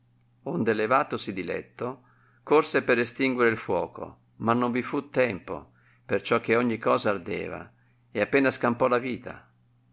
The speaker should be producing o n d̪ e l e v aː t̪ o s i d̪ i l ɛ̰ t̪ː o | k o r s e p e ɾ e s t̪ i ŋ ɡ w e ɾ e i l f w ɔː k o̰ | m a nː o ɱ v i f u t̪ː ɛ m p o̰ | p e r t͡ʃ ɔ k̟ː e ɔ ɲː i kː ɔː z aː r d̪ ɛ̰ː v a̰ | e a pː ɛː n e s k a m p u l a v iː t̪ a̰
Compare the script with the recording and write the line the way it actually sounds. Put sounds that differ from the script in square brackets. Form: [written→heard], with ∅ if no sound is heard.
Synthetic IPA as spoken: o n d̪ e l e v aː t̪ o s i d̪ i l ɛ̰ t̪ː o | k o r s e p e ɾ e s t̪ i ŋ ɡ w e ɾ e i l f w ɔː k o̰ | m a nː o ɱ v i f u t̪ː ɛ m p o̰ | p e r t͡ʃ ɔ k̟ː e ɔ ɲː i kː ɔː z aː r d̪ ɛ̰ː v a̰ | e a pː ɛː n [e→a] s k a m p [u→ɔ] l a v iː t̪ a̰